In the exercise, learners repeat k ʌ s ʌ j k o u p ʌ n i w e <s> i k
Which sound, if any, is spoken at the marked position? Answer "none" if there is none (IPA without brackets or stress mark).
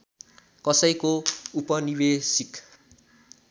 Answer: s